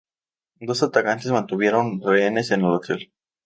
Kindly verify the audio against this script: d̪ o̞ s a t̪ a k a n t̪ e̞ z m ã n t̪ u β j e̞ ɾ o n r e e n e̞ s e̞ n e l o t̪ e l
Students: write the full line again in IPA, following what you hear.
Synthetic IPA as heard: d̪ o̞ s a t̪ a k a n t̪ e̞ z m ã n t̪ u β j e̞ ɾ o n r e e n e̞ s e̞ n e l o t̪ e l